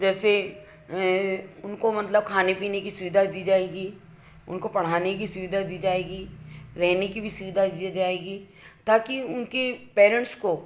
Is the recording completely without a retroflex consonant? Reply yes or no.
no